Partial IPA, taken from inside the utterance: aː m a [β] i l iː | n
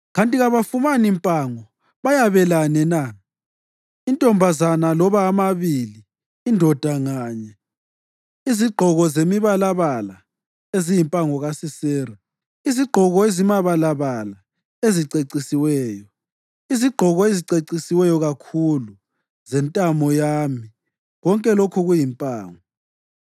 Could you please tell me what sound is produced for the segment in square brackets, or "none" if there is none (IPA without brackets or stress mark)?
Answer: β